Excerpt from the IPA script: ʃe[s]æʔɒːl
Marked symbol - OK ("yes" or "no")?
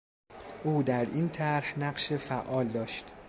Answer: no